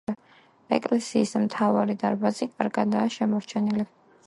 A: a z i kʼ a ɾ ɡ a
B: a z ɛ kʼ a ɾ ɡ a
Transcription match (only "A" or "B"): A